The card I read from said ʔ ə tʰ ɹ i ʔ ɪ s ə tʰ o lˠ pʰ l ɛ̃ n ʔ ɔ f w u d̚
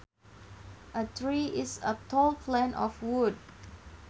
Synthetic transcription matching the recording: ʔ ə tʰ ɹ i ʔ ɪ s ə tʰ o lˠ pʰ l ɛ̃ n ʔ ɔ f w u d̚

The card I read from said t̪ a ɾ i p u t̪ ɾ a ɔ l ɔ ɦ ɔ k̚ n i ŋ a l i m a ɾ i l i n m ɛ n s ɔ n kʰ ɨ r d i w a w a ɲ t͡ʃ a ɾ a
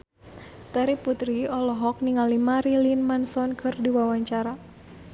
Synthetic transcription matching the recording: t̪ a ɾ i p u t̪ ɾ i ɔ l ɔ ɦ ɔ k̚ n i ŋ a l i m a ɾ i l i n m a n s ɔ n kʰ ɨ r d i w a w a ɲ t͡ʃ a ɾ a

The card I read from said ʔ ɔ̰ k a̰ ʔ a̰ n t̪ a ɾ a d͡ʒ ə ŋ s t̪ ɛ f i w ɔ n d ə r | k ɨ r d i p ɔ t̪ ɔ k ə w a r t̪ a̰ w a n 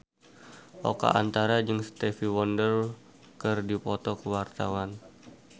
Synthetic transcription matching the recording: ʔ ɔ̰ k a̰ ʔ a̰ n t̪ a ɾ a d͡ʒ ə ŋ s t̪ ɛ f i w ɔ n d ə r | k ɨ r d i p ɔ t̪ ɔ k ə w a r t̪ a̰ w a n

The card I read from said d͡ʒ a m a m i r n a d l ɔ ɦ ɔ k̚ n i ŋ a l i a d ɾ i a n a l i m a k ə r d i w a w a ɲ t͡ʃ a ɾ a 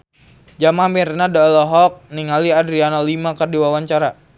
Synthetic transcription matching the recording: d͡ʒ a m a m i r n a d l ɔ ɦ ɔ k̚ n i ŋ a l i a d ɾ i a n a l i m a k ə r d i w a w a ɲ t͡ʃ a ɾ a

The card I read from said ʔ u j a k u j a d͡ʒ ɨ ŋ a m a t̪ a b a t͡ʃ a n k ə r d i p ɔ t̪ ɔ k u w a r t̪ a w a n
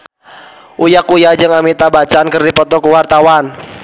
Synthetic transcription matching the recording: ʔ u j a k u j a d͡ʒ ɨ ŋ a m i t̪ a b a t͡ʃ a n k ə r d i p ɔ t̪ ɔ k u w a r t̪ a w a n

